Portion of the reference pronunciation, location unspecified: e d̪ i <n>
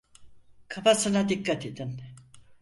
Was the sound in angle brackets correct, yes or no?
yes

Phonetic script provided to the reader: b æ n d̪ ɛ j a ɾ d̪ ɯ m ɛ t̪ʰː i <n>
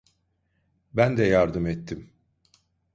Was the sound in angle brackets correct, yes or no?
no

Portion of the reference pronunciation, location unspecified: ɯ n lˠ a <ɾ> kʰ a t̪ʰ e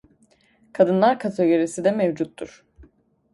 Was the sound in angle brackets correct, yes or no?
yes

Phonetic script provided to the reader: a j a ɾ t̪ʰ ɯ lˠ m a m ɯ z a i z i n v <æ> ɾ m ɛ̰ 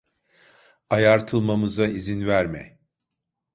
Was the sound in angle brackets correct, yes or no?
yes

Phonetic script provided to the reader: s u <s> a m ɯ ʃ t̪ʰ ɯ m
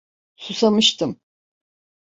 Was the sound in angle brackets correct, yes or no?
yes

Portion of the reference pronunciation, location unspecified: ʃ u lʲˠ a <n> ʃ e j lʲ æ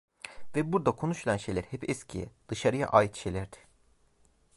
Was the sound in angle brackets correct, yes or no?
yes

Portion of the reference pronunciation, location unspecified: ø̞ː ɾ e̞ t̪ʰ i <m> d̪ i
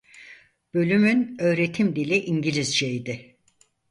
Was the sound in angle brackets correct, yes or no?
yes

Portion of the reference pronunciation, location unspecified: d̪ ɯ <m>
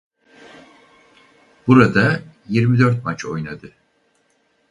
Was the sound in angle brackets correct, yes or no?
no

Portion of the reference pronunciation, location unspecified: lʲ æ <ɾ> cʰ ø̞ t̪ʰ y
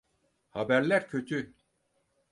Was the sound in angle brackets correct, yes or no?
yes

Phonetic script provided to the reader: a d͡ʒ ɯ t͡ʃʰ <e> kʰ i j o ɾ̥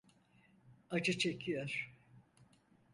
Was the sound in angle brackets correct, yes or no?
yes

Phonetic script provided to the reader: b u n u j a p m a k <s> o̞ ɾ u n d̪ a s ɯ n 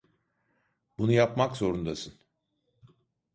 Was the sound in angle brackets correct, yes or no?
no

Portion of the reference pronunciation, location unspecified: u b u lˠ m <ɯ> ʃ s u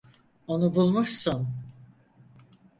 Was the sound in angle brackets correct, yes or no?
no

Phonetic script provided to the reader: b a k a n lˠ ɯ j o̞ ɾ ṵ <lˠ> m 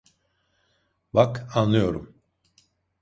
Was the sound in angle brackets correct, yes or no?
no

